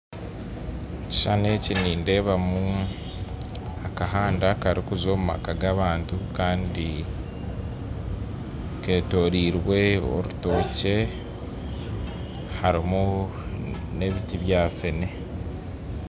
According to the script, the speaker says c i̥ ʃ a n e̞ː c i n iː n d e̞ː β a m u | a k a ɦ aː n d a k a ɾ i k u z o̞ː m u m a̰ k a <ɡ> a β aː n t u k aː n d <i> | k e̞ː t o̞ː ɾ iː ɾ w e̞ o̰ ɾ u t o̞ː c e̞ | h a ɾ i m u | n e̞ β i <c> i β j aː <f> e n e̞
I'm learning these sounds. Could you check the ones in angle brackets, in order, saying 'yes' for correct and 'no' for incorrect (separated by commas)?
yes, yes, no, yes